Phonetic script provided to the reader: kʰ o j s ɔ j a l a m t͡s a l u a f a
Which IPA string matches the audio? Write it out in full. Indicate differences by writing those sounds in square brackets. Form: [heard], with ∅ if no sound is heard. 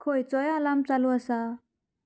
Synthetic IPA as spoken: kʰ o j [t͡s] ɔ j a l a m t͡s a l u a [s] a